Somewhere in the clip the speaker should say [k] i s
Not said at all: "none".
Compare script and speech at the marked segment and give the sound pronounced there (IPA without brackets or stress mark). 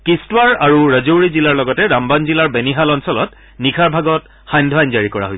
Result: k